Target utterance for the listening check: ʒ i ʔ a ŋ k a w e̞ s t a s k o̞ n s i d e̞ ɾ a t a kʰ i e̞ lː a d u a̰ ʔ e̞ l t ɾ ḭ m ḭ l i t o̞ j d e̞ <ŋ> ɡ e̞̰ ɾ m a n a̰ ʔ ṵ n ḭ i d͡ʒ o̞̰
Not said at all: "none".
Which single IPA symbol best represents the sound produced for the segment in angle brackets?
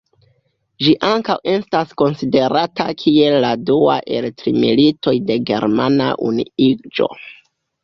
none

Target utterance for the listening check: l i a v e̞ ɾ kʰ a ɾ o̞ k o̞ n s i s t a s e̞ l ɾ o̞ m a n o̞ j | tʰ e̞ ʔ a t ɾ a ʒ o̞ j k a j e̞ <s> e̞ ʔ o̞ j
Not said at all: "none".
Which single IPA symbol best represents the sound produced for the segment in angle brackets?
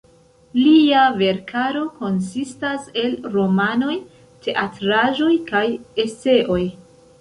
s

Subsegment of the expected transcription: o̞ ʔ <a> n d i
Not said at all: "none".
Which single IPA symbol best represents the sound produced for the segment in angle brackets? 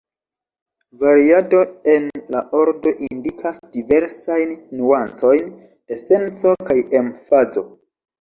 i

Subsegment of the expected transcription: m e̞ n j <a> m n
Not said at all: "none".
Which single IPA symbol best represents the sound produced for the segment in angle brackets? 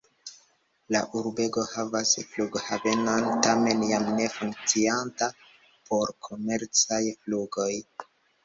a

